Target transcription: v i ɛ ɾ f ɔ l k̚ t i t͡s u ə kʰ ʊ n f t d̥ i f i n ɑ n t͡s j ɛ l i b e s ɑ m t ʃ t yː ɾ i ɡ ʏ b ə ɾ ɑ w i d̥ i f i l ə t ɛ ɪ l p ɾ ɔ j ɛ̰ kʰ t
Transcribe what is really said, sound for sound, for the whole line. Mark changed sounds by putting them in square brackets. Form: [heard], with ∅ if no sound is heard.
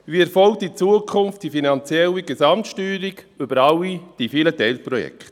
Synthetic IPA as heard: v i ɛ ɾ f ɔ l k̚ t i t͡s u ə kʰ ʊ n f t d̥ i f i n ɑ n t͡s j ɛ l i [ɡ] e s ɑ m t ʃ t yː ɾ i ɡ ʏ b ə ɾ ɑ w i d̥ i f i l ə t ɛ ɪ l p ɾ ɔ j ɛ̰ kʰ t